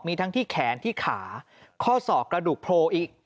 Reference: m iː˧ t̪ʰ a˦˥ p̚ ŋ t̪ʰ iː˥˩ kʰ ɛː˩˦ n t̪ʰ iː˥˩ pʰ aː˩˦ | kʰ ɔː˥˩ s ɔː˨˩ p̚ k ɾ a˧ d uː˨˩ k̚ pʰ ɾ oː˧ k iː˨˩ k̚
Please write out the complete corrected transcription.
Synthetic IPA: m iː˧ t̪ʰ a˦˥ ŋ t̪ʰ iː˥˩ kʰ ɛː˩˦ n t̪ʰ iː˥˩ kʰ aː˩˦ | kʰ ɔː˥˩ s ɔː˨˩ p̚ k ɾ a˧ d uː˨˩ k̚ pʰ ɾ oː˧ ʔ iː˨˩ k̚